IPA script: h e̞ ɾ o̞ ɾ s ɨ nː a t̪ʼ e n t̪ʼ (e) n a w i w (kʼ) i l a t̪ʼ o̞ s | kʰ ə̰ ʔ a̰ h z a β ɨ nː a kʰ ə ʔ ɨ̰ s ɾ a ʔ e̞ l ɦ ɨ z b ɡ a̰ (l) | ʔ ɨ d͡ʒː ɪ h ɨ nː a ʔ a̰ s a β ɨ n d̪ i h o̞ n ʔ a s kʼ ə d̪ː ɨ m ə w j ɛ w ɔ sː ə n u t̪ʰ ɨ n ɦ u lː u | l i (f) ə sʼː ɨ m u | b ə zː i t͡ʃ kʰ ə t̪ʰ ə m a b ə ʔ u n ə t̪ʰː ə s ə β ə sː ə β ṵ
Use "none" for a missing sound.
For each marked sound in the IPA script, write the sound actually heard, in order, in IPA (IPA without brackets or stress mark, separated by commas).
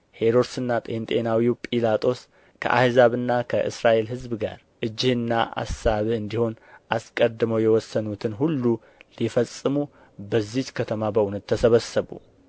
e, pʼ, ɾ, f